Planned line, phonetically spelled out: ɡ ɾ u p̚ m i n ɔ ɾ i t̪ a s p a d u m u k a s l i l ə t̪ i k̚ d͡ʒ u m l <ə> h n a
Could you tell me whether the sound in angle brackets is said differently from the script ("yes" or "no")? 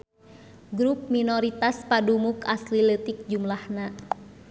yes